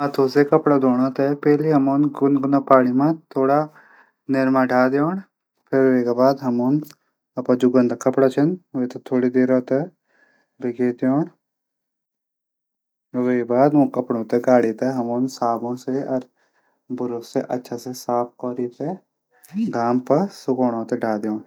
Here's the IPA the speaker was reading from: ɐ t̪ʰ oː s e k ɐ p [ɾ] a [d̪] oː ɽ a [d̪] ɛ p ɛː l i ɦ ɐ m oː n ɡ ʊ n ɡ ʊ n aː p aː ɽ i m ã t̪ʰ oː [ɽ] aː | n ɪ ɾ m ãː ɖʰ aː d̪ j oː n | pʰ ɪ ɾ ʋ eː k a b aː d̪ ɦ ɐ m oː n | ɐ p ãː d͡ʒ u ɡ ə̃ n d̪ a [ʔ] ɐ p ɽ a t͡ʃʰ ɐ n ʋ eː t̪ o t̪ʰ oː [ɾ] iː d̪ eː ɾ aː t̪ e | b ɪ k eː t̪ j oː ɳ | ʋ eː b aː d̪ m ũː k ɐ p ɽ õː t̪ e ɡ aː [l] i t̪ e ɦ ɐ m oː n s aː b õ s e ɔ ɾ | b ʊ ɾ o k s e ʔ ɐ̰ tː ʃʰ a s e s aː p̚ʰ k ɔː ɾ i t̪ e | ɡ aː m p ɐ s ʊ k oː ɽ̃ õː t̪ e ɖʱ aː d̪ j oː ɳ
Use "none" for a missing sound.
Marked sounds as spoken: ɽ, d̪, t̪, ɽ, k, ɽ, ɽ

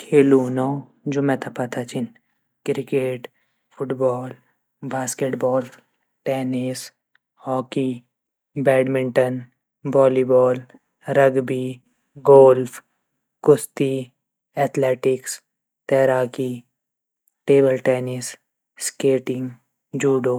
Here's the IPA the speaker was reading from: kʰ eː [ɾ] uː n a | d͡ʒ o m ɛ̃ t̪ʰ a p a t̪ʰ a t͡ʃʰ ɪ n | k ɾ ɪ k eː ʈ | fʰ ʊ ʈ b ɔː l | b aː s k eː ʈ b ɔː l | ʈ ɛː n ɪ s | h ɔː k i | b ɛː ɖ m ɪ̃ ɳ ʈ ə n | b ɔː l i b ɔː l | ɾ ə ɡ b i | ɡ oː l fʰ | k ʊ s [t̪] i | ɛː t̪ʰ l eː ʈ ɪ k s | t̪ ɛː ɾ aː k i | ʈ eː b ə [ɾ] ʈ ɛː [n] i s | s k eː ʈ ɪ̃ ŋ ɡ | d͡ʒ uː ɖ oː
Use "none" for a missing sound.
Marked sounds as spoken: l, t̪, l, n

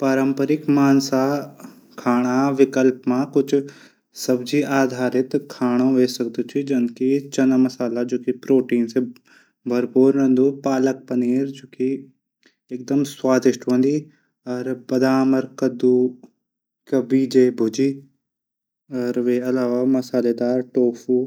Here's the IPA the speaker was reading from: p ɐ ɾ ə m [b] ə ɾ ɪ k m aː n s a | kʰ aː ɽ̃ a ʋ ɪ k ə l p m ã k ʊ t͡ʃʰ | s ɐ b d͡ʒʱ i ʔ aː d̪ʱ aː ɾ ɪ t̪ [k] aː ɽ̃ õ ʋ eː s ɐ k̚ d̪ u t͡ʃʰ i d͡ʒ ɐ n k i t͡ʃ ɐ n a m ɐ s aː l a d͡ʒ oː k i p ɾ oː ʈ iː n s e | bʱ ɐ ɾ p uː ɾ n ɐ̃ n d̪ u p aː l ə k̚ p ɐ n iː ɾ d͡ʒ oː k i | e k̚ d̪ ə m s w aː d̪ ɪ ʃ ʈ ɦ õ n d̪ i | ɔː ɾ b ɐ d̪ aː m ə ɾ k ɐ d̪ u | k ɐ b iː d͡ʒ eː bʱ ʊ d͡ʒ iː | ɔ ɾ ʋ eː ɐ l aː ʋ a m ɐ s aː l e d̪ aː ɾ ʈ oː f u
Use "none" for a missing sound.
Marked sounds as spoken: p, kʰ

